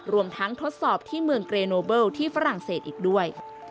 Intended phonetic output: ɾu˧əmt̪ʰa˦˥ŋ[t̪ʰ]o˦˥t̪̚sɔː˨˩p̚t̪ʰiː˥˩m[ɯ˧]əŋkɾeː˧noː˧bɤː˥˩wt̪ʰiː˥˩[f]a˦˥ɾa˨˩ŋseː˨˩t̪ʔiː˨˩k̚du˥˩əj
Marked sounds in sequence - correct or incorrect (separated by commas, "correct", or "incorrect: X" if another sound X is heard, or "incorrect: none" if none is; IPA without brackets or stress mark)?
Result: correct, correct, correct